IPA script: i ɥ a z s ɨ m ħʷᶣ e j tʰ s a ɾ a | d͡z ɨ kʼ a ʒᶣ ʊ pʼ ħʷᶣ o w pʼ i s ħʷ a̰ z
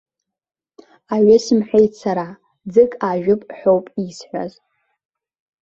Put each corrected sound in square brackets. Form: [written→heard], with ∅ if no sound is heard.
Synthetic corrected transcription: [i→a] ɥ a [z→∅] s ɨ m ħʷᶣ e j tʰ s a ɾ a | d͡z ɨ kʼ a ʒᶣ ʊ pʼ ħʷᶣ o w pʼ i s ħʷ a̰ z